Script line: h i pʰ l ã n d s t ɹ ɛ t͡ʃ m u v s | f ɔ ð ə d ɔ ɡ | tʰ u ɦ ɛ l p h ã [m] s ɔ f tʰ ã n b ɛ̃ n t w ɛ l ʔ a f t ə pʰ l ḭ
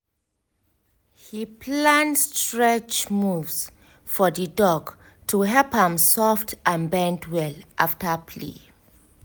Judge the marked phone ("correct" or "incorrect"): correct